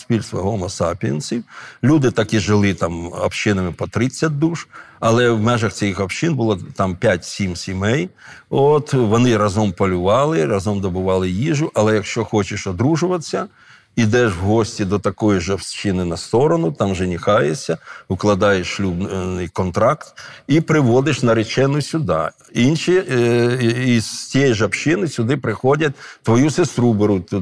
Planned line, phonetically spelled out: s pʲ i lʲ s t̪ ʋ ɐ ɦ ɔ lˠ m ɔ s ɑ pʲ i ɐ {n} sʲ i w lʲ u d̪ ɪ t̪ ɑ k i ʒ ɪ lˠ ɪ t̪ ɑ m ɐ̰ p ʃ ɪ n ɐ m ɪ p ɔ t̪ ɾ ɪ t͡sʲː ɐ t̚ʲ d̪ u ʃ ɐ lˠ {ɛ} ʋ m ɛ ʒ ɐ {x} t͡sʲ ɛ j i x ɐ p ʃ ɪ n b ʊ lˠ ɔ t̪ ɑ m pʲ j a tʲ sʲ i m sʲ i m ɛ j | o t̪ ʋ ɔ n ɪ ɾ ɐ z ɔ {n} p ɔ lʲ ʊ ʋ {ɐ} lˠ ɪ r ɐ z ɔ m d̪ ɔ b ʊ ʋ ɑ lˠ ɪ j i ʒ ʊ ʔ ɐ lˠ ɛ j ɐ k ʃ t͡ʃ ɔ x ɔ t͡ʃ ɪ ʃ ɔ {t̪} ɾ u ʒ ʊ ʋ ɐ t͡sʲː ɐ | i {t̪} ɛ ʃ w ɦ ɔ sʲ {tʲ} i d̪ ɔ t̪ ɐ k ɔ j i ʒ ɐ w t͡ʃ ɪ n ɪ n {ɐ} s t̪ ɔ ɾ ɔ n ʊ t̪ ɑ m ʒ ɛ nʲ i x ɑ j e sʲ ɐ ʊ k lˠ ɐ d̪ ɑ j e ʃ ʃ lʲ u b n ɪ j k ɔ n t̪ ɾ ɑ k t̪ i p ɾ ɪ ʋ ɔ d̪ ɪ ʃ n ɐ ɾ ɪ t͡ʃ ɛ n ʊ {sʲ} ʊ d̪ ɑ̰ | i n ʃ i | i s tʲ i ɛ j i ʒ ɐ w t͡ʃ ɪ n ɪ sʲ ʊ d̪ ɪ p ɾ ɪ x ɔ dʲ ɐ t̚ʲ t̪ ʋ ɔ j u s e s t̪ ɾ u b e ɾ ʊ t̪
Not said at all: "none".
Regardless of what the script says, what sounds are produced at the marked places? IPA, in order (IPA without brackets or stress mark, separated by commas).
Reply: n, ɛ, x, m, ɑ, d̪, d̪, tʲ, ɐ, sʲ